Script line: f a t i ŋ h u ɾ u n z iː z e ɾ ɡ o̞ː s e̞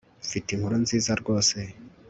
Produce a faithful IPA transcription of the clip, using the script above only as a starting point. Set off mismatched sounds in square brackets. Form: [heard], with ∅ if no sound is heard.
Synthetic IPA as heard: f [i] t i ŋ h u ɾ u n z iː z [a] ɾ ɡ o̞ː s e̞